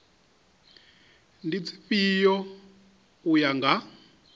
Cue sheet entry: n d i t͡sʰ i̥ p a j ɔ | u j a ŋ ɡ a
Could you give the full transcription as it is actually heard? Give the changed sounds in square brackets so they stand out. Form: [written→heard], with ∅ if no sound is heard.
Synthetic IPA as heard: n d i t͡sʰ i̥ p [a→i] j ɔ | u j a ŋ ɡ a